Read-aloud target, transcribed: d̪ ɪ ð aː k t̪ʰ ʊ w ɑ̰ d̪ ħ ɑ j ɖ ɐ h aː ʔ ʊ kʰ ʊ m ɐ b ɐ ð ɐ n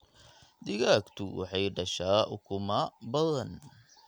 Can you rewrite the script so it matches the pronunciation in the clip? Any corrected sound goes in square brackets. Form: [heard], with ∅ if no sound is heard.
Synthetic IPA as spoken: d̪ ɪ [ɣ] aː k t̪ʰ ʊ w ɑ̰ [∅] ħ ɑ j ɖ ɐ [ʃ] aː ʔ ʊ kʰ ʊ m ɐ b ɐ ð ɐ n

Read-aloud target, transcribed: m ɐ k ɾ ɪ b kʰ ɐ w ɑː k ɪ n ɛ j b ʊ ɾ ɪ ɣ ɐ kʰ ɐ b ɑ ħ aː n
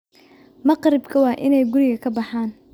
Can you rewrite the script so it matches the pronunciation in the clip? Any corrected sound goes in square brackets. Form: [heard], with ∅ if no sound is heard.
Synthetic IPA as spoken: m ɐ [q] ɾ ɪ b kʰ ɐ w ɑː [ʔ] ɪ n ɛ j [ɡ] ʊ ɾ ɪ ɣ ɐ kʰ ɐ b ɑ ħ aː n

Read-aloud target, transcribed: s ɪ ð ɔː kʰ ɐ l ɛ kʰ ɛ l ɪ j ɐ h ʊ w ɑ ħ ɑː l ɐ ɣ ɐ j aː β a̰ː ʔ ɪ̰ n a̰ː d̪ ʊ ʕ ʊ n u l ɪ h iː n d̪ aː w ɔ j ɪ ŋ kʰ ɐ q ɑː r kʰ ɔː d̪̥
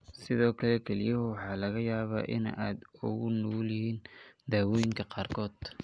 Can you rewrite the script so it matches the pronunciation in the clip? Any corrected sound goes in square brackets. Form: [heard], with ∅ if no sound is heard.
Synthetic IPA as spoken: s ɪ ð ɔː kʰ ɐ l ɛ kʰ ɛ l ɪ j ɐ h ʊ w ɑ ħ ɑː l ɐ ɣ ɐ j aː β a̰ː ʔ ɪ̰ n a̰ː d̪ ʊ [ɣ] ʊ n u l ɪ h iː n d̪ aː w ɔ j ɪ ŋ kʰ ɐ q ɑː r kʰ ɔː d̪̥

